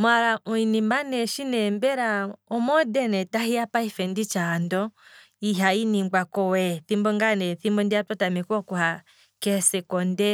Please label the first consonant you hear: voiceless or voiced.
voiced